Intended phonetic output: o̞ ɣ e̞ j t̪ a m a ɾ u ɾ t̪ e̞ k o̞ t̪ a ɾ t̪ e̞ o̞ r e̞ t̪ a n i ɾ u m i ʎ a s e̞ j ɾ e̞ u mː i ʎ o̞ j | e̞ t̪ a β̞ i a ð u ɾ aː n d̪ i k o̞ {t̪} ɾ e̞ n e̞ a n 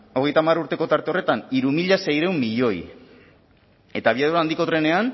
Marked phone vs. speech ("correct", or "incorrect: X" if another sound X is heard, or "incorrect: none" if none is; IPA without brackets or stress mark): correct